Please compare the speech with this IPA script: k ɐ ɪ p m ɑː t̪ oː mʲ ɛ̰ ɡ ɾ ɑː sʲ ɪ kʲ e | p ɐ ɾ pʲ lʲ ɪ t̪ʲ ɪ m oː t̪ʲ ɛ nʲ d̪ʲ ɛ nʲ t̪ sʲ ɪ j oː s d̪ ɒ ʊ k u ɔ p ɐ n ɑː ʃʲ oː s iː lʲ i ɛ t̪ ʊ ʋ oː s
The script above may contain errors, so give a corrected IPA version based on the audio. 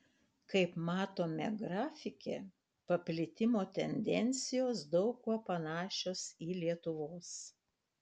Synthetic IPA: k ɐ ɪ p m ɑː t̪ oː mʲ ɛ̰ ɡ ɾ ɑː fʲ ɪ kʲ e | p ɐ pʲ lʲ ɪ t̪ʲ ɪ m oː t̪ʲ ɛ nʲ d̪ʲ ɛ nʲ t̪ sʲ ɪ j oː s d̪ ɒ ʊ k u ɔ p ɐ n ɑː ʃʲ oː s iː lʲ i ɛ t̪ ʊ ʋ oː s